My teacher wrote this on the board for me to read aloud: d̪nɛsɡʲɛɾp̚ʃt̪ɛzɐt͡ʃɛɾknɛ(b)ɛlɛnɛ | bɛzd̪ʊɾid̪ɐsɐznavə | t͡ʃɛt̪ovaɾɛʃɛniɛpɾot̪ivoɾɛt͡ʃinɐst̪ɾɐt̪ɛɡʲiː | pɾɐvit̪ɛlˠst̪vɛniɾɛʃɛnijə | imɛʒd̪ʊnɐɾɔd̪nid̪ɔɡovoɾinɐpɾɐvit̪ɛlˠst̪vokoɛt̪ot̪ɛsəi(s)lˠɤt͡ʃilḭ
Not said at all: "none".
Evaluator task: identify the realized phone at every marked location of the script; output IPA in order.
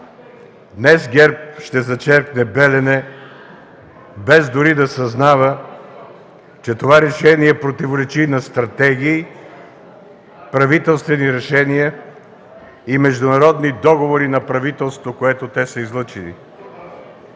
b, z

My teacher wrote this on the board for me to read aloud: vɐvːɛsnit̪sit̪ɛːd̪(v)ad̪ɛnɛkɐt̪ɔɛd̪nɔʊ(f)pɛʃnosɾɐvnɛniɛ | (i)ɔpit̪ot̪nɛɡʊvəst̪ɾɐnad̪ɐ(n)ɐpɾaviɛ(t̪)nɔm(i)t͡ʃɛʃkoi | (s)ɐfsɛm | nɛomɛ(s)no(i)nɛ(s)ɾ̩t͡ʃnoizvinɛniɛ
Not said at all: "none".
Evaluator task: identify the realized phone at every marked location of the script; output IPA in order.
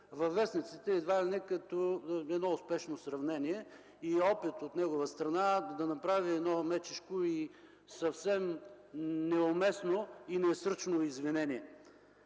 v, s, i, n, d̪, ɛ, s, s, i, s

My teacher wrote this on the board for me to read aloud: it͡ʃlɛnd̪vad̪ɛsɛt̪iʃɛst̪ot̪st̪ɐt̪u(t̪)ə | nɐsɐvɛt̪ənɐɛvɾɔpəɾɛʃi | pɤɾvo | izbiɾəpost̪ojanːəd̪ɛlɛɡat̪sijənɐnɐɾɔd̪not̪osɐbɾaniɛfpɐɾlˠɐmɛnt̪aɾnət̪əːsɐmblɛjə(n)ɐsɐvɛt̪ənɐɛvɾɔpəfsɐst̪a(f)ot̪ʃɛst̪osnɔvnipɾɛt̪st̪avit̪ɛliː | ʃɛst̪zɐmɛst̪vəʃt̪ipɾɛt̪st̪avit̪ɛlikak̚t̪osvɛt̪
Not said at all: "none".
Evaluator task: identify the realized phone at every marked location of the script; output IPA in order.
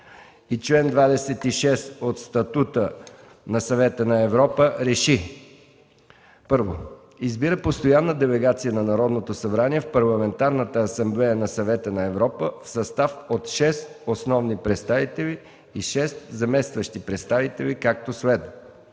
t̪, n, f

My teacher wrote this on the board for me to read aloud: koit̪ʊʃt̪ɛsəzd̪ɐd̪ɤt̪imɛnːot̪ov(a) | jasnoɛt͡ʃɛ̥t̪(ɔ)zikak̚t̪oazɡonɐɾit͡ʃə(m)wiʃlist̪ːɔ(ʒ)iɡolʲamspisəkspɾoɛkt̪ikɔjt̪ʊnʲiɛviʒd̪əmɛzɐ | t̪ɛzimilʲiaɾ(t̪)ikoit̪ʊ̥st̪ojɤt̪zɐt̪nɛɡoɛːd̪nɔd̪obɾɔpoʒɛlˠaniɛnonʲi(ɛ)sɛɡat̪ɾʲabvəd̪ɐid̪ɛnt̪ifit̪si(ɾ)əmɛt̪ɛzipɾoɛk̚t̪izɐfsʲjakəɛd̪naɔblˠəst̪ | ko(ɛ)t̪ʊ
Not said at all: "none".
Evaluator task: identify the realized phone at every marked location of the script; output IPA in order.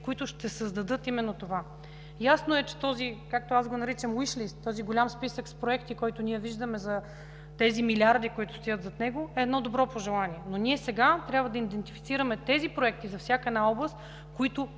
a, ɔ, m, z, d̪, ɛ, ɾ, i

